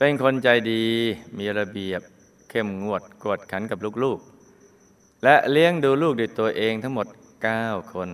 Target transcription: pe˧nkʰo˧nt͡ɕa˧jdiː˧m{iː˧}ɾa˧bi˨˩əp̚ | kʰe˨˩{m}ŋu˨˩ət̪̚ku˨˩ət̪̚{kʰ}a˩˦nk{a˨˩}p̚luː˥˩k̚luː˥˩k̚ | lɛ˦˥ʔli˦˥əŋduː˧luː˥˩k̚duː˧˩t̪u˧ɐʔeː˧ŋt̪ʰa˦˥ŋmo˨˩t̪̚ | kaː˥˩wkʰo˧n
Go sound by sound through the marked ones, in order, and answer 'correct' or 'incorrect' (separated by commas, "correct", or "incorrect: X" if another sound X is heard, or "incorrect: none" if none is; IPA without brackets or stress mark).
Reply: correct, correct, correct, correct